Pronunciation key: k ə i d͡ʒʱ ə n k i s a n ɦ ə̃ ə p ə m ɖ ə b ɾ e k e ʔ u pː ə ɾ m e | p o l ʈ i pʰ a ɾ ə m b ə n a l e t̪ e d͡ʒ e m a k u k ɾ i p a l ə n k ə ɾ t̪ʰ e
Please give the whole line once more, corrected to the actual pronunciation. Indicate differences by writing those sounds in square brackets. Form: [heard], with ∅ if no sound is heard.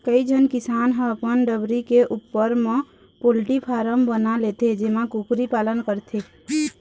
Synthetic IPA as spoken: k ə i d͡ʒʱ ə n k i s a n ɦ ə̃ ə p ə [n] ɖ ə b ɾ [i] k e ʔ u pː ə ɾ m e | p o l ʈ i pʰ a ɾ ə m b ə n a l e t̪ e d͡ʒ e m a k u k ɾ i p a l ə n k ə ɾ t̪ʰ e